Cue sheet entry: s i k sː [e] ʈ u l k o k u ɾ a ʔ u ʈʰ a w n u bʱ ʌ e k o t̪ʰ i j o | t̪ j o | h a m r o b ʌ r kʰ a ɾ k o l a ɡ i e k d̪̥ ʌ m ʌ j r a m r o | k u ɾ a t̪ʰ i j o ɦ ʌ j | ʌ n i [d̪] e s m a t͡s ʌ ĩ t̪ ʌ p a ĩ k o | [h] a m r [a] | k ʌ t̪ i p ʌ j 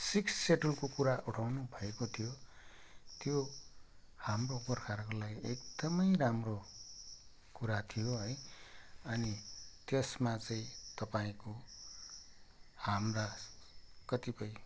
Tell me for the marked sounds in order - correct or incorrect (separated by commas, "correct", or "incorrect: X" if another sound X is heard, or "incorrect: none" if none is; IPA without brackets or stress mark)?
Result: correct, incorrect: t̪, correct, correct